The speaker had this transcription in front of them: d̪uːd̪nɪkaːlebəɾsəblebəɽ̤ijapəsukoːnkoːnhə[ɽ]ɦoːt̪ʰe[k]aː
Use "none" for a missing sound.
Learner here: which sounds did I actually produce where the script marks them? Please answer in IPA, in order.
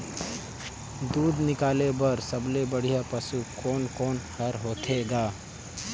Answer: ɾ, ɡ

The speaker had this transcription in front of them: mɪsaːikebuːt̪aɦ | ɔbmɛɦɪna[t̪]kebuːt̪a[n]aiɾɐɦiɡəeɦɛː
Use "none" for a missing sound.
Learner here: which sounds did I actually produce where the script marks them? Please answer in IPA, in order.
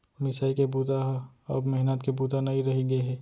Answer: t̪, n

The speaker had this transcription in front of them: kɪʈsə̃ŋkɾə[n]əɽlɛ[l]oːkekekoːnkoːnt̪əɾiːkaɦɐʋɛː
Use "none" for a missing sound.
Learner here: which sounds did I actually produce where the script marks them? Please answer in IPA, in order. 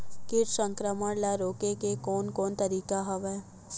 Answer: m, ɾ

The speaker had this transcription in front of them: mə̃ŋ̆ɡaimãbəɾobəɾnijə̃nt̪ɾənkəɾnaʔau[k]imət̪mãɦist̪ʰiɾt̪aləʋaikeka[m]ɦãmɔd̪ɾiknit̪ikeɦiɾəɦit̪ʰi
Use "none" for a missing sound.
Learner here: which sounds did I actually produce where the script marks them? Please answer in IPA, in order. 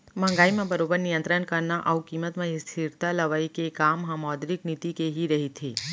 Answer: k, m

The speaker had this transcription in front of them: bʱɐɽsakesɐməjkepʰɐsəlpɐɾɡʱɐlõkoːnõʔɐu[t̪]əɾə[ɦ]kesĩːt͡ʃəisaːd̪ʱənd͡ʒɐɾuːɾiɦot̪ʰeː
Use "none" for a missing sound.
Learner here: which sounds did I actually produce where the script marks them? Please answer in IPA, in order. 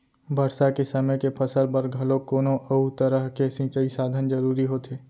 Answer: t̪, ɦ

